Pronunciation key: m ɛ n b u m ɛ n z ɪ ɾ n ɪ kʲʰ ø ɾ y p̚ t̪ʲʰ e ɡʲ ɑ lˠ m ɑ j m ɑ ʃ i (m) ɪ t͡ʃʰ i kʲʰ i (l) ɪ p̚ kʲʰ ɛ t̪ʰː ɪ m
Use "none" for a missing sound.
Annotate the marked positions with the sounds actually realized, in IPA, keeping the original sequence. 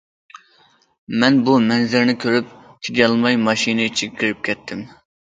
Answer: n, ɾ

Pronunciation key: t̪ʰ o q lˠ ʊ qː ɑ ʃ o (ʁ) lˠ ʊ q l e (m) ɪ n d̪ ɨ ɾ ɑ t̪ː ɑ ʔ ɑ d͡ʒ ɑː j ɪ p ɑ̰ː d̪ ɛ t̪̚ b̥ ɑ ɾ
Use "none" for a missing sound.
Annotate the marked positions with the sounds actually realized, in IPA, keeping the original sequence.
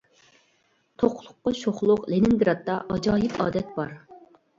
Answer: χ, n

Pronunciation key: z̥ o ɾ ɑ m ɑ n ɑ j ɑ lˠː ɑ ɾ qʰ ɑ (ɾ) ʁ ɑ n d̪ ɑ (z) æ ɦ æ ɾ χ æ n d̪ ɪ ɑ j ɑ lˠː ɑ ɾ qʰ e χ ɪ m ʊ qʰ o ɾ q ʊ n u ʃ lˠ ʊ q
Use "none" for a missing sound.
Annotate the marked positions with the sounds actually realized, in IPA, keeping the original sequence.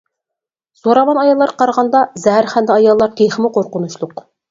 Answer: ɾ, z

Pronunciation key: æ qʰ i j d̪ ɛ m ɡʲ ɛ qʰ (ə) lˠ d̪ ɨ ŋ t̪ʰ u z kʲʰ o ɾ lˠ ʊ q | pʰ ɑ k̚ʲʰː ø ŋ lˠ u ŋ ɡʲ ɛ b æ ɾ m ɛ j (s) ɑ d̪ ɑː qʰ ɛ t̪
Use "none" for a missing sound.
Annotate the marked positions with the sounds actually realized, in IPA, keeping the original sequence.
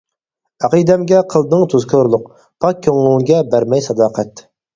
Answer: ə, s

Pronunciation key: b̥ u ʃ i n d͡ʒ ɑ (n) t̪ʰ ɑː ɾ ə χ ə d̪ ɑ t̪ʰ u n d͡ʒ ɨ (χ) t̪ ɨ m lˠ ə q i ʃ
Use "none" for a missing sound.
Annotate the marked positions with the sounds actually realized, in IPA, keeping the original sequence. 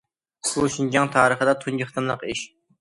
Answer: ŋ, χ

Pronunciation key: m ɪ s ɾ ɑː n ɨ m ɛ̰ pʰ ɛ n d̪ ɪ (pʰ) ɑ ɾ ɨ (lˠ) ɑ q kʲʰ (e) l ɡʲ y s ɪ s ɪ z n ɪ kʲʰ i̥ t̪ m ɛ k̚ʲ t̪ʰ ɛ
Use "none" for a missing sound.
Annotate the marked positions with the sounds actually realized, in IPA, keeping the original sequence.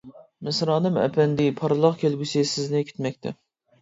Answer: pʰ, lˠ, e

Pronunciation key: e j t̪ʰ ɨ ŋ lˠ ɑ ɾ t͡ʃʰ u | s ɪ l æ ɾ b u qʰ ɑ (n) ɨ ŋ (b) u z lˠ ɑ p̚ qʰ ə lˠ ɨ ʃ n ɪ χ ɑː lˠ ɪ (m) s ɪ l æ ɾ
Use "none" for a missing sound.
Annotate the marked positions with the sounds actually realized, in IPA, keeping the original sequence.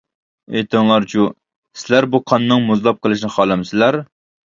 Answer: nː, m, m

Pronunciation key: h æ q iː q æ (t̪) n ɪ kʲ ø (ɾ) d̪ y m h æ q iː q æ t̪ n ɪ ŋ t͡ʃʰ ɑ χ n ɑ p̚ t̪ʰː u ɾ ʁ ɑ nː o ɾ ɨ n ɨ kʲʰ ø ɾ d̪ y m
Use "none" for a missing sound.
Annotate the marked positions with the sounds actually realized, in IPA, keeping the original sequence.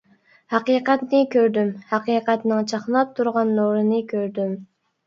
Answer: t̪, ɾ

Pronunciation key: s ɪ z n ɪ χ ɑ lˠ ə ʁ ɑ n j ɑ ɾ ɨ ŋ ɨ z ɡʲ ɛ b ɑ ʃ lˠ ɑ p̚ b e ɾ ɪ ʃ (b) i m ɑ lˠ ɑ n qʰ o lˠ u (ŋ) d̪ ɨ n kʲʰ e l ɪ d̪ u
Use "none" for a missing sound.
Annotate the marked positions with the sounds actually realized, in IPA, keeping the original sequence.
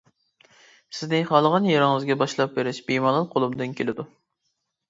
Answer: b, m

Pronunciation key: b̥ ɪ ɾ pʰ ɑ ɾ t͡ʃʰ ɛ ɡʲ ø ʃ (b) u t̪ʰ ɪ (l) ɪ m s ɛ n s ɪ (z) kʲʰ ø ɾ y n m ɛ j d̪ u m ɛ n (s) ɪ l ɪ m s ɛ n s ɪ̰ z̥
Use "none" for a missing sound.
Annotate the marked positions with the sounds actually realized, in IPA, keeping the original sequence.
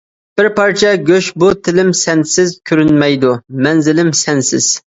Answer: b, l, z, z

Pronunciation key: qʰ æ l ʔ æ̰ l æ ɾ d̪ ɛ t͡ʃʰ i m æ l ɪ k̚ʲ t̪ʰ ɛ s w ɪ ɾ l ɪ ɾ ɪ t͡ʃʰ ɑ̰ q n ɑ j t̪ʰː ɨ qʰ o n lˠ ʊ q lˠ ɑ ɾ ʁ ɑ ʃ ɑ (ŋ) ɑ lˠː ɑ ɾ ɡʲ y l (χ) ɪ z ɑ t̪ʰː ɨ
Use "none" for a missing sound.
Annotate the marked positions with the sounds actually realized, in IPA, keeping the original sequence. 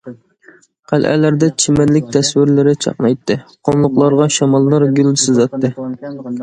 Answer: m, s

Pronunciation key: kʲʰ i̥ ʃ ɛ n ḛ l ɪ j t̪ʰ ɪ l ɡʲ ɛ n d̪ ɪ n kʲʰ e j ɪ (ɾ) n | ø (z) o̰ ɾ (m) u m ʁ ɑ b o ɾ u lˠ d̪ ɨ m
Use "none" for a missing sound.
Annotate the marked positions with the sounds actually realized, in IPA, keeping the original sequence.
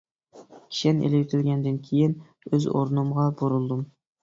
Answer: none, z, n

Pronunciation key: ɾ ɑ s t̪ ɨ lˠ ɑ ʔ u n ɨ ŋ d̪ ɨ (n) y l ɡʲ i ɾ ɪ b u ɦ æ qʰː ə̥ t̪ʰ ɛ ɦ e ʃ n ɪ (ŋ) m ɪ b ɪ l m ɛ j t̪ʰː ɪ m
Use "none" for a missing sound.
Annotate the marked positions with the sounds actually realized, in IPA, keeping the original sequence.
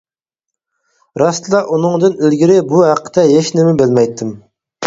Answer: n, none

